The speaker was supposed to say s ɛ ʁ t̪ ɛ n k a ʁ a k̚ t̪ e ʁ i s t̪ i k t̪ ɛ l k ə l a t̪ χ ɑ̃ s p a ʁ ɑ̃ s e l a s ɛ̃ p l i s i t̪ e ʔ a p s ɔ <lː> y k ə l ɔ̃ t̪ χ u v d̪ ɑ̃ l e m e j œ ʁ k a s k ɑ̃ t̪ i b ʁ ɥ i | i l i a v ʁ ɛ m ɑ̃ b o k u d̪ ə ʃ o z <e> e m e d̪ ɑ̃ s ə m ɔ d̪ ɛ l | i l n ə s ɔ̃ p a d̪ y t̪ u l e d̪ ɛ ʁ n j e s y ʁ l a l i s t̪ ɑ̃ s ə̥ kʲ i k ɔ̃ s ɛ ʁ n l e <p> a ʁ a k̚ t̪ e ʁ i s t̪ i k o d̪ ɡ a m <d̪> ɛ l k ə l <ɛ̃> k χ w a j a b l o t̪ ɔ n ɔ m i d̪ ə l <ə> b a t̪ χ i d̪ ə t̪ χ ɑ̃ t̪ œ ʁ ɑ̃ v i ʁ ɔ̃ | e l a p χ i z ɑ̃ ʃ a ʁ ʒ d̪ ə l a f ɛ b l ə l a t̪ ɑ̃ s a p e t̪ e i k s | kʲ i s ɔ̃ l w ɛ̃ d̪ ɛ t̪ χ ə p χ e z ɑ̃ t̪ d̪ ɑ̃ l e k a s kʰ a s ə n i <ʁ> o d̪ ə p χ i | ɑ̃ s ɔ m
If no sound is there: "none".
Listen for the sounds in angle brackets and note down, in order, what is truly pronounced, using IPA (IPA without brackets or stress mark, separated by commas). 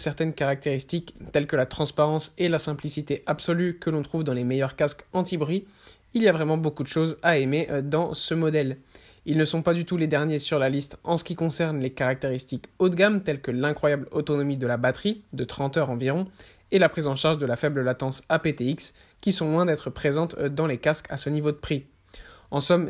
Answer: l, a, k, t̪, ɛ̃, a, v